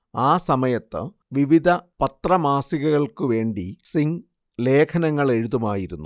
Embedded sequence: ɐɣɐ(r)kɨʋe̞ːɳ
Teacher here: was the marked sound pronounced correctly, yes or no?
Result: no